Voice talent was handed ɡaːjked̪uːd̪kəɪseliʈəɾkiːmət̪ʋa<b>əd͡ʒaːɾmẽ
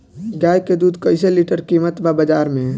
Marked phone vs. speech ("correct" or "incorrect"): correct